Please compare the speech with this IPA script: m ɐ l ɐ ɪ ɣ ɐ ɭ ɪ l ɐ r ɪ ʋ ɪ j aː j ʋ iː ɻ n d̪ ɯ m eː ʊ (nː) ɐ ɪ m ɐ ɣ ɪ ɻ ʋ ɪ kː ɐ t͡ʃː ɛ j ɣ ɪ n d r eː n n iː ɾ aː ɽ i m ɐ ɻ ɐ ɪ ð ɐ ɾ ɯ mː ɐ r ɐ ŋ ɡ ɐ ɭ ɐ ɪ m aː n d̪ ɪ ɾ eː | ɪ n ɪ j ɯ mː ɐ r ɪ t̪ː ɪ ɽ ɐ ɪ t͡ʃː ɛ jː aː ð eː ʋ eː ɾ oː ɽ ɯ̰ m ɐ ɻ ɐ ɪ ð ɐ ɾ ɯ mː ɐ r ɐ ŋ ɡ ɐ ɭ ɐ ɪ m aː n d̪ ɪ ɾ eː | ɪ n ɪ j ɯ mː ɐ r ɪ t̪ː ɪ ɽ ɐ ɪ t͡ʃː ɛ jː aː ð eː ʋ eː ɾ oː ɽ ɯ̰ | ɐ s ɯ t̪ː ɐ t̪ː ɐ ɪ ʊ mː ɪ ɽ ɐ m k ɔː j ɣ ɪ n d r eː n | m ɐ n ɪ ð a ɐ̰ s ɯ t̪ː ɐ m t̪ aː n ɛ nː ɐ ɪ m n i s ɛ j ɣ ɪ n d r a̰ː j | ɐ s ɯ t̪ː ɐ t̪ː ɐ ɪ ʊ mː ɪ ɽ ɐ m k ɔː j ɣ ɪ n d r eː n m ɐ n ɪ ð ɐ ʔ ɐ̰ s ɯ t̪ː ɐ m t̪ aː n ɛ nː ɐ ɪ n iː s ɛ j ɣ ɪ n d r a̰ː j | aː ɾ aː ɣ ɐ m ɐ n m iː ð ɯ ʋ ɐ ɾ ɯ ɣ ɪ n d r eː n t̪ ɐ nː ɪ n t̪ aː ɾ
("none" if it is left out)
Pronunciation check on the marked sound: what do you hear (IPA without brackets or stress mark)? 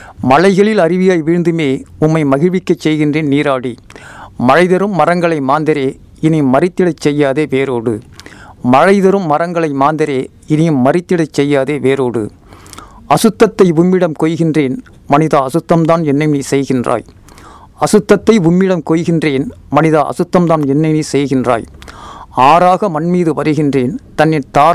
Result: mː